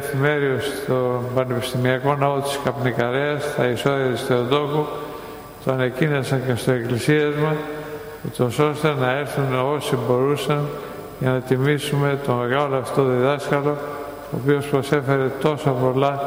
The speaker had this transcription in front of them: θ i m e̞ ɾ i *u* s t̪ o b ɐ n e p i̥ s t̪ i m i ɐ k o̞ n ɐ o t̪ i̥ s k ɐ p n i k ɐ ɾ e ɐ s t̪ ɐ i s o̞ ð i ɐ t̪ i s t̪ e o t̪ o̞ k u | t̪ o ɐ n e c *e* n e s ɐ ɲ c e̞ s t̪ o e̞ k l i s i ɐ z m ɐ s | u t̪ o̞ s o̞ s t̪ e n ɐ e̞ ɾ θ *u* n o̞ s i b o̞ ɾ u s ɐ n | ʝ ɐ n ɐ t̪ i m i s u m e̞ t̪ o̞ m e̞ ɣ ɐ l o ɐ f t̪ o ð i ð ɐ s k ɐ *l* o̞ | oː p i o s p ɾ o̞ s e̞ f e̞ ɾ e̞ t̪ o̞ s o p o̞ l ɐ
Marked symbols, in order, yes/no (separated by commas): no, no, yes, yes